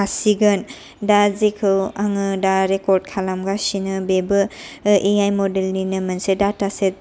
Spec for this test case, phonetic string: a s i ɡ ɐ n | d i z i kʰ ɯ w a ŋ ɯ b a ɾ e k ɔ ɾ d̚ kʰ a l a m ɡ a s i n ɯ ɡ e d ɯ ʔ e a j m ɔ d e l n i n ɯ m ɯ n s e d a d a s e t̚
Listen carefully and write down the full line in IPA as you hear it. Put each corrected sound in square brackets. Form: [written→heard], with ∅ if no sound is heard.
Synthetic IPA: a s i ɡ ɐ n | d [i→a] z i kʰ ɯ w a ŋ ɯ [b→d] a ɾ e k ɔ ɾ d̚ kʰ a l a m ɡ a s i n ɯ [ɡ→b] e [d→b] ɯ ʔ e a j m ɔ d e l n i n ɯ m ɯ n s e d a [d→t] a s e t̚